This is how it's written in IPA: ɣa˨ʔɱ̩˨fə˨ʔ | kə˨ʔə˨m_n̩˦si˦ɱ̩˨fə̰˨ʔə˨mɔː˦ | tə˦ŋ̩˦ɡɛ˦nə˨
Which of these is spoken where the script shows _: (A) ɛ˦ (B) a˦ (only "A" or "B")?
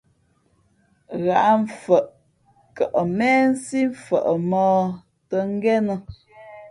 A